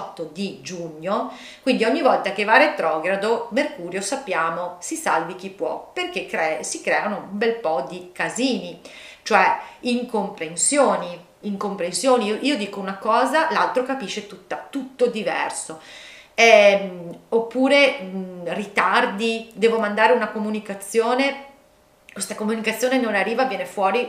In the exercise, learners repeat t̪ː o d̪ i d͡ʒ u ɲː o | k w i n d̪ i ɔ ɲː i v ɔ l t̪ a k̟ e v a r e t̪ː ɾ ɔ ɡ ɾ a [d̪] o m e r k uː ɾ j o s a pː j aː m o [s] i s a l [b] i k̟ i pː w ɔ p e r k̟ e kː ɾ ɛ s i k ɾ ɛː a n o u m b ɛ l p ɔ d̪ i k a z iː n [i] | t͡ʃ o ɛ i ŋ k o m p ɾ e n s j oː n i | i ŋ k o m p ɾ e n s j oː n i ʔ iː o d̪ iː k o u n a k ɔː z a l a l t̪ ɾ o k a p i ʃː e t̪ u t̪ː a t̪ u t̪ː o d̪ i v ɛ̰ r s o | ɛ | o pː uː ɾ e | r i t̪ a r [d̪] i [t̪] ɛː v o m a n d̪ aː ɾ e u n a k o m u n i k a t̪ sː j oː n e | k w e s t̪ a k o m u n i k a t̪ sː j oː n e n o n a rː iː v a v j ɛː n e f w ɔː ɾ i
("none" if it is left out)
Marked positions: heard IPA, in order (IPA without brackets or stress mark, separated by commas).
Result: d̪, s, v, i, d̪, d̪